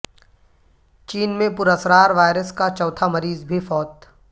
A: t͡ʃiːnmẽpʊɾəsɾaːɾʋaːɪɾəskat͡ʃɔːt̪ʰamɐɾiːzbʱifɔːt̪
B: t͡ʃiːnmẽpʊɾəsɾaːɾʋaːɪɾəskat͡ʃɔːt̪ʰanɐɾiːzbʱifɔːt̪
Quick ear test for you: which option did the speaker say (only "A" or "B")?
A